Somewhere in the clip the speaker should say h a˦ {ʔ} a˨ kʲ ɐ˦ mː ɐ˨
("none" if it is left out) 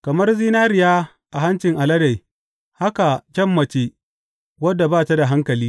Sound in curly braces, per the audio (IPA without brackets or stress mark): k